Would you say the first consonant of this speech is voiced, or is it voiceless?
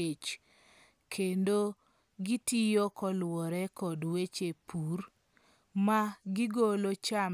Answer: voiceless